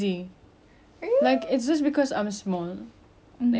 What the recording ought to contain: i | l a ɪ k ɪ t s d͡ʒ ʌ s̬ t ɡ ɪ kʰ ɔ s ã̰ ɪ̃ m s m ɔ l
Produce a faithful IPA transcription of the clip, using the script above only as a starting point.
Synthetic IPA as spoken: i | l a ɪ k ɪ t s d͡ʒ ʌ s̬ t b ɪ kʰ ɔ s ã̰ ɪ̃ m s m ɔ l